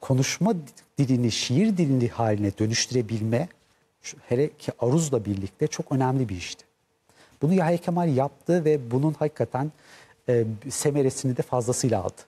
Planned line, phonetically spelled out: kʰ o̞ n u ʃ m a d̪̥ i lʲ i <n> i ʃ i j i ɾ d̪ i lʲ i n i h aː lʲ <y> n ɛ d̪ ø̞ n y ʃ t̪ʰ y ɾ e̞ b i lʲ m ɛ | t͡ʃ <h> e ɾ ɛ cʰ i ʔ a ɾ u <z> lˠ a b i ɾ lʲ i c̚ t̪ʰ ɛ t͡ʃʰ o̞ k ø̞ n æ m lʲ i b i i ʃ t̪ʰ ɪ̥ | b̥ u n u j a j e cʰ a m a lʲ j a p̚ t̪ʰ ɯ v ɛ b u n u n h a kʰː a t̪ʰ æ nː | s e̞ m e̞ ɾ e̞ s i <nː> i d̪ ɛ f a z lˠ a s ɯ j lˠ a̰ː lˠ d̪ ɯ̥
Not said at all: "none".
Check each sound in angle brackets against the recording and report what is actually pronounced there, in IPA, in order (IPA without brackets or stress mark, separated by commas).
n, i, h, z, n